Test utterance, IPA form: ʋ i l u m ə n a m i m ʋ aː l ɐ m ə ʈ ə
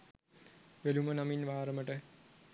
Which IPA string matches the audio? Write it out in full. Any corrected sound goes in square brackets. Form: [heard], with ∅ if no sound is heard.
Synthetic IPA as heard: ʋ [e] l u m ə n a m i [n] ʋ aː [ɾ] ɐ m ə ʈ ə